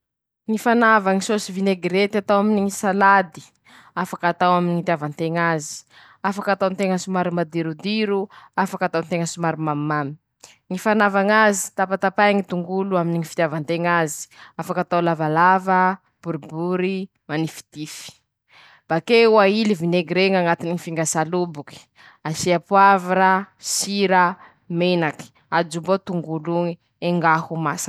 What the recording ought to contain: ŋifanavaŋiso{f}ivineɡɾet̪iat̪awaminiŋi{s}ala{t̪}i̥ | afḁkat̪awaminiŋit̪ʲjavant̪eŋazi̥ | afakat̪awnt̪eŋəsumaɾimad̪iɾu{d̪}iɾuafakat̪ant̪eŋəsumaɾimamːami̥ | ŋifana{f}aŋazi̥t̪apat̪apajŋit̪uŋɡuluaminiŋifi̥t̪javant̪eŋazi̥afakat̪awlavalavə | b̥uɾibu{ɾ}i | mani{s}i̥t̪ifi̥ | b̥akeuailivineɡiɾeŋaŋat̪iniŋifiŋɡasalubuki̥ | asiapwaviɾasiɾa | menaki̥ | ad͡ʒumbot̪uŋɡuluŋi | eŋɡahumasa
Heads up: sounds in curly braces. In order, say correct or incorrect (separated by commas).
incorrect, correct, incorrect, correct, incorrect, correct, incorrect